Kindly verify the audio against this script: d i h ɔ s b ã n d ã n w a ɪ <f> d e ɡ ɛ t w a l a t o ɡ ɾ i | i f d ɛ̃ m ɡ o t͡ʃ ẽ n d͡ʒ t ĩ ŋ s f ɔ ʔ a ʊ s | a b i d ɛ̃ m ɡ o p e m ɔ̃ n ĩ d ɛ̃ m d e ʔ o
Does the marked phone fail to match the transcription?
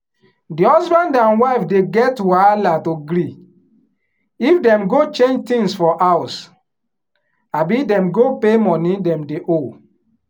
no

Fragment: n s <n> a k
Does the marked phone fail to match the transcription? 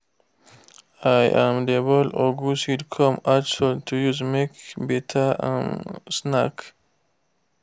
no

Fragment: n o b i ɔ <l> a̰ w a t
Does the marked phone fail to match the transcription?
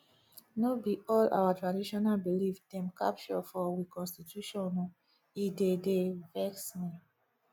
no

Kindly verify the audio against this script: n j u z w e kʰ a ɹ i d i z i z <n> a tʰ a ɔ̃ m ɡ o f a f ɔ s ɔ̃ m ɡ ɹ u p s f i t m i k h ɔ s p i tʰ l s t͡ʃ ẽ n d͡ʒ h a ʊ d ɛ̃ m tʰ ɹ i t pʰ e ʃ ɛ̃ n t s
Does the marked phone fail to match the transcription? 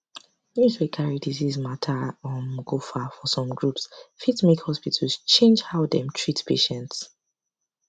yes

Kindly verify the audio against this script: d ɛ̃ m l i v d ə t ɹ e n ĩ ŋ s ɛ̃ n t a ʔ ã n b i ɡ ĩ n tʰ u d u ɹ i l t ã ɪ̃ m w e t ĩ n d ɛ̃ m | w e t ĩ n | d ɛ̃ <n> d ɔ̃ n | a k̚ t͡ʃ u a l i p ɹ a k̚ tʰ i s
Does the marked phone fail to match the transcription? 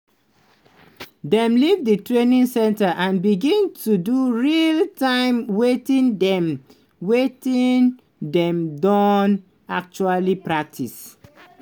yes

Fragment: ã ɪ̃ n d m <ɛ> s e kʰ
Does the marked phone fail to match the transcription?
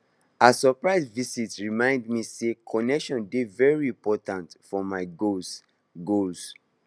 yes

